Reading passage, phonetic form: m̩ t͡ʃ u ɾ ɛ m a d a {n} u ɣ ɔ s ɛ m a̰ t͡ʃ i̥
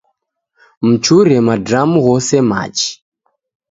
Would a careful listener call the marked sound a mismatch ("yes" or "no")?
yes